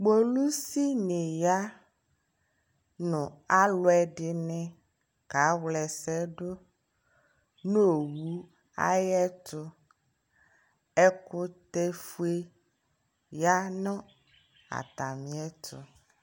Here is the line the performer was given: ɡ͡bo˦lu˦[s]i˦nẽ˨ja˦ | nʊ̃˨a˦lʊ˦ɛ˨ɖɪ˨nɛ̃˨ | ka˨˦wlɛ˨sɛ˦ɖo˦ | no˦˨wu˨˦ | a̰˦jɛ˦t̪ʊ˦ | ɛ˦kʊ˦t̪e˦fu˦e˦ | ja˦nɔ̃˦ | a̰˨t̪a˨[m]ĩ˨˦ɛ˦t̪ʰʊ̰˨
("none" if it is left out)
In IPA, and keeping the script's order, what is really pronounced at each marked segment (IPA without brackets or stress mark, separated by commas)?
s, m